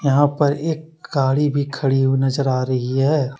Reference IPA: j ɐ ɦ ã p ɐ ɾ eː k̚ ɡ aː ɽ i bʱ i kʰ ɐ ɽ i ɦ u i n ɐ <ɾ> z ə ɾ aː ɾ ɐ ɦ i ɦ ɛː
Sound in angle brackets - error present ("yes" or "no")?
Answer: yes